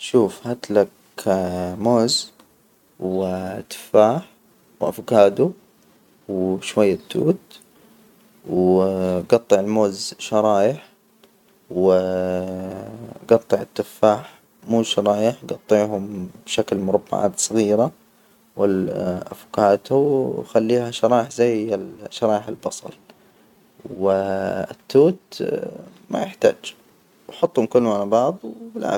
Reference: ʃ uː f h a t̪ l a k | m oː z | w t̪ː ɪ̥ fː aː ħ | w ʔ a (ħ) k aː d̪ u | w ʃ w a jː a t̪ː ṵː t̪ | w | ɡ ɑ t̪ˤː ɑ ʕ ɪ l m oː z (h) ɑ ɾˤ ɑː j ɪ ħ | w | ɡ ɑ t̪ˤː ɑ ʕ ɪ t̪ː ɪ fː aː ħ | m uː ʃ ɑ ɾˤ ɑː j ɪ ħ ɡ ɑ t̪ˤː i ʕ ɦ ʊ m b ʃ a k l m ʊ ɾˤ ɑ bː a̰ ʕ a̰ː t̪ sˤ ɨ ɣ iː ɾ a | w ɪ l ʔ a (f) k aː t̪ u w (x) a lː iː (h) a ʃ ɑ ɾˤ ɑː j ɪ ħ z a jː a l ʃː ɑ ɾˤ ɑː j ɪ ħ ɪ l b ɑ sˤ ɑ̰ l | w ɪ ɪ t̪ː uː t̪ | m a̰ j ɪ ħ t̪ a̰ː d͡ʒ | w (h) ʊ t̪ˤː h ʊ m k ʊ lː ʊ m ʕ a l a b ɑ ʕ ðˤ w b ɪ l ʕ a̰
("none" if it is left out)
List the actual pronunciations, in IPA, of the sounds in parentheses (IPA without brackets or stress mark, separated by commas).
f, ʃ, f, x, h, ħ